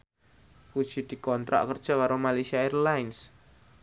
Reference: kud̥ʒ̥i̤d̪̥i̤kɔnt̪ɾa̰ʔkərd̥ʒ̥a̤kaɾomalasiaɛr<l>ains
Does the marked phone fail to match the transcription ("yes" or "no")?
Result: no